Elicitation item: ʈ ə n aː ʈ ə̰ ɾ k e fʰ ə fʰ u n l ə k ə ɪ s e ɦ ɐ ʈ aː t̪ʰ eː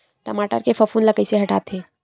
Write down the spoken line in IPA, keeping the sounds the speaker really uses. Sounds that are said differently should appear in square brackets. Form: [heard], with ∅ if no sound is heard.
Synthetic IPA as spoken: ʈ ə [m] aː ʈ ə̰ ɾ k e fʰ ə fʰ u n l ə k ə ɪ s e ɦ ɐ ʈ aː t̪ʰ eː